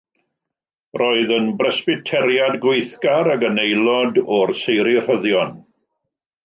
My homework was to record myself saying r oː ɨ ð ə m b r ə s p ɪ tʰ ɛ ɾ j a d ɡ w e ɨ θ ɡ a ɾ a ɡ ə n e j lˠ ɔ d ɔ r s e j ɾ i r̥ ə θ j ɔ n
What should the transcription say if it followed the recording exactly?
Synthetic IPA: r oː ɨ ð ə n b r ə s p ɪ tʰ ɛ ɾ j a d ɡ w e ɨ θ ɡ a ɾ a ɡ ə n e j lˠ ɔ d ɔ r s e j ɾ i r̥ ə ð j ɔ n